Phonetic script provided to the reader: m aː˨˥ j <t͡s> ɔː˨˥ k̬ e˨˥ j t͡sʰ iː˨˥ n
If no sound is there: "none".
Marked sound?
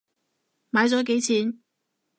t͡s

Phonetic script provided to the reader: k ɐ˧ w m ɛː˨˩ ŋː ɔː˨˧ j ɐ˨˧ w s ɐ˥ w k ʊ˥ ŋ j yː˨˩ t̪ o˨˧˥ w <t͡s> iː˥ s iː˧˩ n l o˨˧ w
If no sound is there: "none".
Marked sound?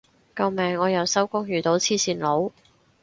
t͡sʰ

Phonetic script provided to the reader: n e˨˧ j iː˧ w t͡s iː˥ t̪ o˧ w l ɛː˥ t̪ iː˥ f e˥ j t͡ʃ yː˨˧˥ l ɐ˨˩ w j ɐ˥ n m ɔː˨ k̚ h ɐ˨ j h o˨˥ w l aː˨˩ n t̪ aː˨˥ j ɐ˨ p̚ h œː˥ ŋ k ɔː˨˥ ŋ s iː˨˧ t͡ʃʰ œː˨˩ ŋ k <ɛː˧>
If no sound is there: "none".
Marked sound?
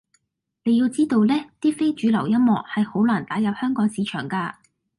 aː˧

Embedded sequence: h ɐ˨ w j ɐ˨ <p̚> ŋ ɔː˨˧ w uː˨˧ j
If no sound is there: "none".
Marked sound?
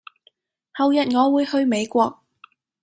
t̚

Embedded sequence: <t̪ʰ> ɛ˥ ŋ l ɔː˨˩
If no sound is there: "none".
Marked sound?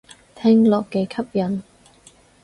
t̪ʰ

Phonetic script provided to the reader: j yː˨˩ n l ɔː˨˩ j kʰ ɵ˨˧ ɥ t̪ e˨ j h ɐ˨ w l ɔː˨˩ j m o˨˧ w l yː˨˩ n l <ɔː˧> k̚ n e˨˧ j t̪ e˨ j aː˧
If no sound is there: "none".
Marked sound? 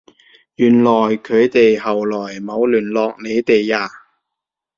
ɔː˧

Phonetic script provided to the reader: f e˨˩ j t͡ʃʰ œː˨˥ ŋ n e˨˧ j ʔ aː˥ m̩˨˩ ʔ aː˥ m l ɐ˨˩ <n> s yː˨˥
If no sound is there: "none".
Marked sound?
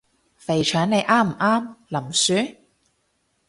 m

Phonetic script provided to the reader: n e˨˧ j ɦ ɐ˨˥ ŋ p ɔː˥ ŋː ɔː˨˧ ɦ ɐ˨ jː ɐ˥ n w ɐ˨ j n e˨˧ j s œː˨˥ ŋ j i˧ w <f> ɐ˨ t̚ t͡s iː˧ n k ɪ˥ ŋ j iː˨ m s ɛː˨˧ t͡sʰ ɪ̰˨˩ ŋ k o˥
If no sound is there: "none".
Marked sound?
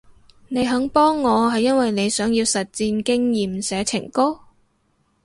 s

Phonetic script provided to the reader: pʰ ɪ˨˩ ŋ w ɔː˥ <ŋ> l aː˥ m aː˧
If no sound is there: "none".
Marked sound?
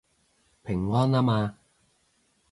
n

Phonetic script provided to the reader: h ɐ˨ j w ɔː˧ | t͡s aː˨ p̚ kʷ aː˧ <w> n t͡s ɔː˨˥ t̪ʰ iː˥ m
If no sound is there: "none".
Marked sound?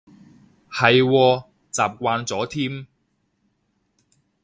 none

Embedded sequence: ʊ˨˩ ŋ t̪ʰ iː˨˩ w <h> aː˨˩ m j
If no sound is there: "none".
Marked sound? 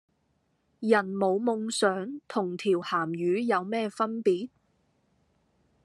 h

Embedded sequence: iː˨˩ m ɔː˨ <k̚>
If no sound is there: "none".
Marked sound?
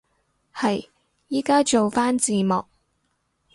k̚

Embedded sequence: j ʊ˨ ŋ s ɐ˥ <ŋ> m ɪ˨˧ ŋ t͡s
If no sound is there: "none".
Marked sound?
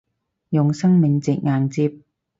ŋ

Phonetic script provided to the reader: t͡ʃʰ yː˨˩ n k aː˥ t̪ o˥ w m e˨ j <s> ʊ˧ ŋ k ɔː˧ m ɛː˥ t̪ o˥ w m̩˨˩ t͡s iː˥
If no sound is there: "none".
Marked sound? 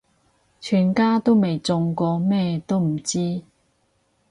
t͡s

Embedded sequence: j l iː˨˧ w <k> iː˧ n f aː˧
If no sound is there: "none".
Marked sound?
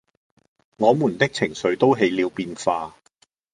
p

